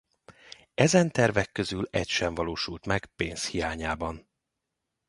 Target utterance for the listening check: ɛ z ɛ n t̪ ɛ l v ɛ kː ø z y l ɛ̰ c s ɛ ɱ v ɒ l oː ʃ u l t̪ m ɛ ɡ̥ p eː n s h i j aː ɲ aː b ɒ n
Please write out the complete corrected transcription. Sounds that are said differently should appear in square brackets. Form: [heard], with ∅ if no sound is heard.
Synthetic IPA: ɛ z ɛ n t̪ ɛ [r] v ɛ kː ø z y l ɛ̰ c [ʃ] ɛ ɱ v ɒ l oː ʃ u l t̪ m ɛ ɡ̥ p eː n s h i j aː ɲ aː b ɒ n